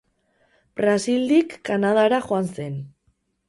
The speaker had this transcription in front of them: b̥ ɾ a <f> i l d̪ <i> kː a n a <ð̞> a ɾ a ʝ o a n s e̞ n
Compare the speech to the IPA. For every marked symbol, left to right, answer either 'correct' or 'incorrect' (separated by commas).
incorrect, correct, correct